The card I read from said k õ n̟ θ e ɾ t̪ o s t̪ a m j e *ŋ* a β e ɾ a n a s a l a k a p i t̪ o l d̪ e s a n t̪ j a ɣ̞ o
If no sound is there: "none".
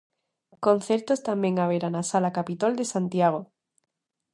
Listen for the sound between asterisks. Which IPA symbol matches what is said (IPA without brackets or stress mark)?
ŋ